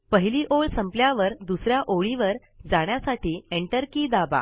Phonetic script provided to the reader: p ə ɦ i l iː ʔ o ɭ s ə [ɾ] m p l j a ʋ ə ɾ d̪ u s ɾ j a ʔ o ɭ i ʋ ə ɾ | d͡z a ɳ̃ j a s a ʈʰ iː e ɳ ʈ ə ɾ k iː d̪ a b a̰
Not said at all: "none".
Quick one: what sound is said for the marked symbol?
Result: none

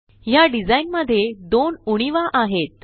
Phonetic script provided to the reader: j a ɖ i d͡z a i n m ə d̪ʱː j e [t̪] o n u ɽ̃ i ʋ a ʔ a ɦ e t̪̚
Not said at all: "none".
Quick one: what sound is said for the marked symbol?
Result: d̪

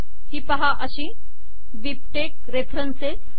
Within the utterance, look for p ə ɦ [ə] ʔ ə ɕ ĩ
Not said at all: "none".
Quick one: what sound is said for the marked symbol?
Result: a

